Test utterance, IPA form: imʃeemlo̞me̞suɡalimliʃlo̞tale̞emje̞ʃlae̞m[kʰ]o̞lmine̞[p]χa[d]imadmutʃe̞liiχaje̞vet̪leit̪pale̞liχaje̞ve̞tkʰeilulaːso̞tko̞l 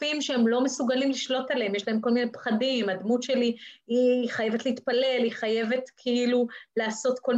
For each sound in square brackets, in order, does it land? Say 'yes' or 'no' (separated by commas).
no, yes, yes